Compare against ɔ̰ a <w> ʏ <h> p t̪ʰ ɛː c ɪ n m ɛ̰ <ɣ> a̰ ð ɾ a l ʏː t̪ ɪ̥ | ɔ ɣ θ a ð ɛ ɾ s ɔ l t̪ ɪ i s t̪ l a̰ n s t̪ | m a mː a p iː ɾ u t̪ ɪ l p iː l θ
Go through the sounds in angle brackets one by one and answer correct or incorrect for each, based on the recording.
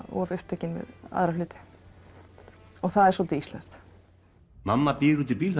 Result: incorrect: v, correct, incorrect: ð

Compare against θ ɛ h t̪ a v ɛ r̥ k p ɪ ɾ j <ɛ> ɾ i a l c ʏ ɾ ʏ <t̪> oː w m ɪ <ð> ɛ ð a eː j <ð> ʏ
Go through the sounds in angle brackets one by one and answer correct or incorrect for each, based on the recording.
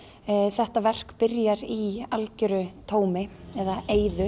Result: incorrect: a, incorrect: t̪ʰ, incorrect: none, correct

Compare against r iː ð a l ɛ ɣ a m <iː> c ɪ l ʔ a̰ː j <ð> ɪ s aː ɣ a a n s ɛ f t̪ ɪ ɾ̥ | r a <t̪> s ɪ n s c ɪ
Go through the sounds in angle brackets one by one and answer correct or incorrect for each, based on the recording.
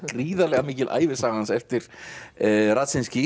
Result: correct, incorrect: v, correct

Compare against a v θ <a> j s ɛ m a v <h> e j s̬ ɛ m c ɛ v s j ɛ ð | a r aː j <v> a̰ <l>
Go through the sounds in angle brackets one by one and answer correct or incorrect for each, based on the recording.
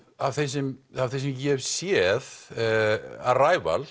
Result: incorrect: e, incorrect: θ, correct, correct

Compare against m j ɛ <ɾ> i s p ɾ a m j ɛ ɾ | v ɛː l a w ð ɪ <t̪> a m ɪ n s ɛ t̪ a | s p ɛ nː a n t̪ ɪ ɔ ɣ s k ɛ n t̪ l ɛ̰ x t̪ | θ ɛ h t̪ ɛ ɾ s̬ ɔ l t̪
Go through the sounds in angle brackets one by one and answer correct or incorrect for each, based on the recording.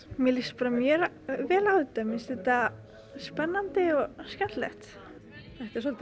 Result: incorrect: l, correct

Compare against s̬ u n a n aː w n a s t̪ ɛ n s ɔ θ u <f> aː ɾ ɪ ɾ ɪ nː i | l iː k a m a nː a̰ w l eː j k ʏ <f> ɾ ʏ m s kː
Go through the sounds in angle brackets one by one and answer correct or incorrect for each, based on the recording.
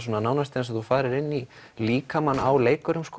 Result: correct, incorrect: none

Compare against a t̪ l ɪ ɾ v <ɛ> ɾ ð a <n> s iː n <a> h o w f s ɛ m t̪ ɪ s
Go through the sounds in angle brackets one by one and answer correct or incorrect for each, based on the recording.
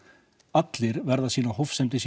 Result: correct, incorrect: none, correct

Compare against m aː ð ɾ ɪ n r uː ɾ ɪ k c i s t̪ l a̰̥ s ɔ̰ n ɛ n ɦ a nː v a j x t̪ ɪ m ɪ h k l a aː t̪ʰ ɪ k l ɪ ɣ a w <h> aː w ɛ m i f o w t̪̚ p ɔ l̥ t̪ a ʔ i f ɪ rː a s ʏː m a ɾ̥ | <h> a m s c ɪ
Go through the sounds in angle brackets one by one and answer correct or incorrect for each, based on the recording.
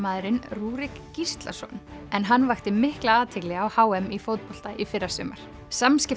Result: correct, incorrect: s

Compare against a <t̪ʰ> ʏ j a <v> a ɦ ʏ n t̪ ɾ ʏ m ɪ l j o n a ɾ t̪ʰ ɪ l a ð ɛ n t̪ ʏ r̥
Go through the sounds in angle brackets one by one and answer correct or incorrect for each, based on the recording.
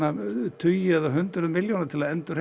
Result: correct, incorrect: ð

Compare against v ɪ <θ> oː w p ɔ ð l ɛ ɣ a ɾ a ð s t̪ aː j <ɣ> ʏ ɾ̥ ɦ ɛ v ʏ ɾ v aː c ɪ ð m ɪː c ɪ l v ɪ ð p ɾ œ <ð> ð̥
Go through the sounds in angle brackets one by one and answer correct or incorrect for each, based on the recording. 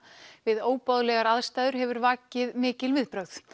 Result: incorrect: ð, incorrect: ð, incorrect: ɣ

